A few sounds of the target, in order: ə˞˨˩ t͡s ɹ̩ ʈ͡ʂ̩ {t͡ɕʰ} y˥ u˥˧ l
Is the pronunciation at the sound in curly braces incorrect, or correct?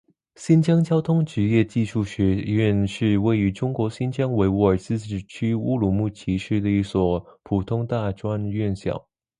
correct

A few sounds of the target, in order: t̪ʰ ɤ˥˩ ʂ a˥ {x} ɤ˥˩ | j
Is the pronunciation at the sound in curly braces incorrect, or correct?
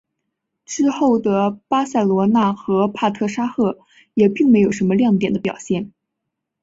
correct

